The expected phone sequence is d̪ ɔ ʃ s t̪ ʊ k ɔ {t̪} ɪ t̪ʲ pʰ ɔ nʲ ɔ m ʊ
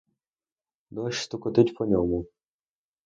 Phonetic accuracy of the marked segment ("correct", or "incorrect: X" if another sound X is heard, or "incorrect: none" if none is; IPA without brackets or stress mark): correct